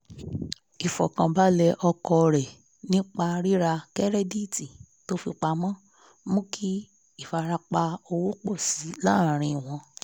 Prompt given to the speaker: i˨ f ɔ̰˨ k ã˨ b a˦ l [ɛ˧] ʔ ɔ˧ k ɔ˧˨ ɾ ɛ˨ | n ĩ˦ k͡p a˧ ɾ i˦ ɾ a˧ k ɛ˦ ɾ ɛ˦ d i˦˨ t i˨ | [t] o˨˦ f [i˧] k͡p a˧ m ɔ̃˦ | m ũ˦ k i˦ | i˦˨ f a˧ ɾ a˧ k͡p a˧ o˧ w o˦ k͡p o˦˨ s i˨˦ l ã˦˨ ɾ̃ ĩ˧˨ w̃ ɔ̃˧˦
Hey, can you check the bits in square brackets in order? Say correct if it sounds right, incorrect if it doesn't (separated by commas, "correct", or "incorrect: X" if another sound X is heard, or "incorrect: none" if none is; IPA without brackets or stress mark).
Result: correct, correct, correct